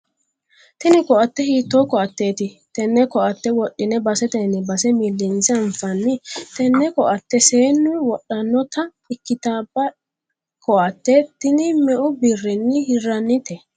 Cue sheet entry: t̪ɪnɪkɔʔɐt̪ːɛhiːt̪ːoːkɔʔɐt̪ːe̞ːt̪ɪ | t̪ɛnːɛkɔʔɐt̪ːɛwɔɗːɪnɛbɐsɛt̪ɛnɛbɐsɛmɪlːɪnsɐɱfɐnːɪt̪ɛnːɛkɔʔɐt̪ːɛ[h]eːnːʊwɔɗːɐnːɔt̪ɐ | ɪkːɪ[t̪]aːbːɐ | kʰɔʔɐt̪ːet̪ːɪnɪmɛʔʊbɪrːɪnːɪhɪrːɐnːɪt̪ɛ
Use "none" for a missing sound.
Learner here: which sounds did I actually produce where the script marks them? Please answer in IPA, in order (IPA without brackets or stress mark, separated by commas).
s, t̪